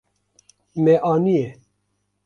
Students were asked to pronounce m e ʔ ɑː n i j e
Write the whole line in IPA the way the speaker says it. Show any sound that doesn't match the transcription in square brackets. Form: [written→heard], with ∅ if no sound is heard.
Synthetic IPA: m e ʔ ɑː n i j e